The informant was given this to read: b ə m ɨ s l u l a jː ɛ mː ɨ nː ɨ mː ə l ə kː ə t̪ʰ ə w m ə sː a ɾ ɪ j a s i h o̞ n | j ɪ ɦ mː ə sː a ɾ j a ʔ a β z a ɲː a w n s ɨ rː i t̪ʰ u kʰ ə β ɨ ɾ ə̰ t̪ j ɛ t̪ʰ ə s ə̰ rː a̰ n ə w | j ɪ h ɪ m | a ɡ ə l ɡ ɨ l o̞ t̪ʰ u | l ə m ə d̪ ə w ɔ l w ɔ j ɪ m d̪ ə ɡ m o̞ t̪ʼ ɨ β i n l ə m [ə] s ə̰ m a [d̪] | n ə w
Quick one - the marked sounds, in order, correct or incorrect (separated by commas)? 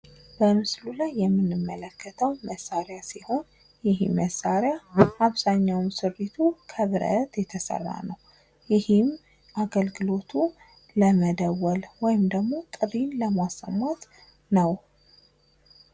incorrect, incorrect